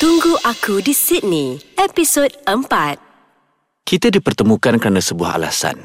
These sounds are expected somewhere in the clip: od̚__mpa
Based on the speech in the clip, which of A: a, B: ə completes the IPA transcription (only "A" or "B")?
B